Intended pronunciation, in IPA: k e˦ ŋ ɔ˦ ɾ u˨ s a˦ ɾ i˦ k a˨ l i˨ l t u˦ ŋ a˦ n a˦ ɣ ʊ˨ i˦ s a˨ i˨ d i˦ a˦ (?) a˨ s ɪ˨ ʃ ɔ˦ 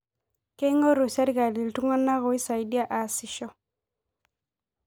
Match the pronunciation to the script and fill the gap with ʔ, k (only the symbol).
ʔ